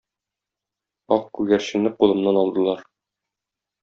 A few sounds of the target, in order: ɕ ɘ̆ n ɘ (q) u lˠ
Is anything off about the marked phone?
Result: no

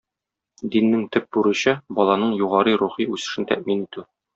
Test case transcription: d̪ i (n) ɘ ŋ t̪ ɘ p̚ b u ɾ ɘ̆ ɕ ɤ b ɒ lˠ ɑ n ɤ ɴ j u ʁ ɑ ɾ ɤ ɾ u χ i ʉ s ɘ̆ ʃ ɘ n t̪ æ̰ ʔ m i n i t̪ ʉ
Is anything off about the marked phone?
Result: yes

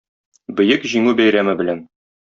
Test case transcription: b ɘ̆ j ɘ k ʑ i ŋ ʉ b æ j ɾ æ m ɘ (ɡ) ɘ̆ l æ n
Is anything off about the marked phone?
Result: yes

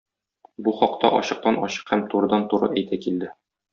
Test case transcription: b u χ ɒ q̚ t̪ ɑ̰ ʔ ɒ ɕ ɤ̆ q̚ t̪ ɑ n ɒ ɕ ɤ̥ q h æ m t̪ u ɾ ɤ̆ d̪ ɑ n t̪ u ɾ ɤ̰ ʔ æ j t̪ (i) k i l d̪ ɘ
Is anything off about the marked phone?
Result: yes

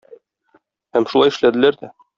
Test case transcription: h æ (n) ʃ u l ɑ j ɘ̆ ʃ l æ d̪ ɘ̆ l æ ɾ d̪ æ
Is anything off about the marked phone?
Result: yes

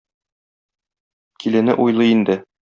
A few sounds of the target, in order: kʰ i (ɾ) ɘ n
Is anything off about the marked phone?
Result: yes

